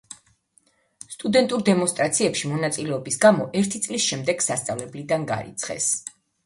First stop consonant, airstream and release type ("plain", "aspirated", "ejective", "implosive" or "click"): ejective